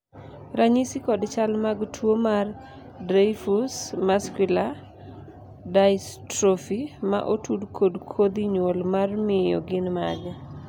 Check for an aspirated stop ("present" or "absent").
present